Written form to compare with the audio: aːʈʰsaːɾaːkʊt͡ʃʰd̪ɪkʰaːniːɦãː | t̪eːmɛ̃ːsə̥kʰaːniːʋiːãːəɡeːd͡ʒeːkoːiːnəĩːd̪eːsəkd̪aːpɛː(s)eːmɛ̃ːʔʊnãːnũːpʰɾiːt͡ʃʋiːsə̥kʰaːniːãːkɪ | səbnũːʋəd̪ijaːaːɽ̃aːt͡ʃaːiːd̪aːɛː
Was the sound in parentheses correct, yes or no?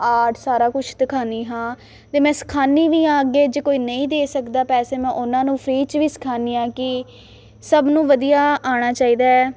yes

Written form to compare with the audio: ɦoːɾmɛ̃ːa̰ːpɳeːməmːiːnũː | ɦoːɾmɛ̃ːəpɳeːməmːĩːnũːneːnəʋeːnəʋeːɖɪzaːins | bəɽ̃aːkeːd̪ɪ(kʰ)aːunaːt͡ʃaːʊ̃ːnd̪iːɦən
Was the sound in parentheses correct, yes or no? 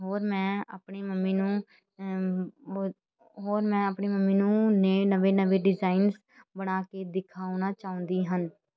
yes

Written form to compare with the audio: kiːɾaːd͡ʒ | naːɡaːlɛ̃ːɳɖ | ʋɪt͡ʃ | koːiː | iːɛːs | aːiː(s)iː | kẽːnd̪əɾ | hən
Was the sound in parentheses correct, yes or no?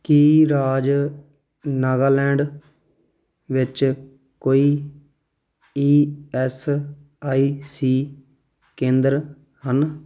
yes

